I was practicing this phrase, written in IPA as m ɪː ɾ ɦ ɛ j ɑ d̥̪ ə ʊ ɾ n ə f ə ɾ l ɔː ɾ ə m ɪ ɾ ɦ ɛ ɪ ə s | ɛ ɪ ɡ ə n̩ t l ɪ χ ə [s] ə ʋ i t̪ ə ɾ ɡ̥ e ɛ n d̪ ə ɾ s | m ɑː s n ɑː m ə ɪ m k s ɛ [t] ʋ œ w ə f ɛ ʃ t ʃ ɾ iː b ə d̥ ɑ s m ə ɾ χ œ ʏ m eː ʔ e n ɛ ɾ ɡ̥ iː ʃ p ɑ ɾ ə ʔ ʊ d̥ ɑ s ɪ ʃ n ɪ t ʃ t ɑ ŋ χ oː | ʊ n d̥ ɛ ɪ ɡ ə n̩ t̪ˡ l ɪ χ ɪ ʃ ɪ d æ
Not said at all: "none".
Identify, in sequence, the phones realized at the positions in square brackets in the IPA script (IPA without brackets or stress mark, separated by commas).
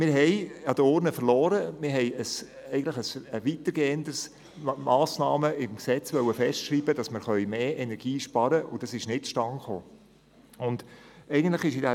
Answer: s, t͡s